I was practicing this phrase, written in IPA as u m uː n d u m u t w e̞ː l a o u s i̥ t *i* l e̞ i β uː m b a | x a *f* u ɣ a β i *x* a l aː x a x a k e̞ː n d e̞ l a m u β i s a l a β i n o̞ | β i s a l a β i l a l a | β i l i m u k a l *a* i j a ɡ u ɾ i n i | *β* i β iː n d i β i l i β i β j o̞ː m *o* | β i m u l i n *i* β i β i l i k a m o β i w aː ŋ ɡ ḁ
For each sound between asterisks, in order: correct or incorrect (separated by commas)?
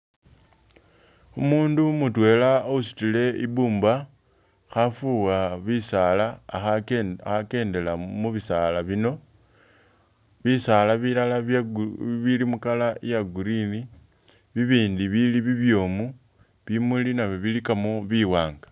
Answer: correct, correct, incorrect, correct, correct, incorrect, incorrect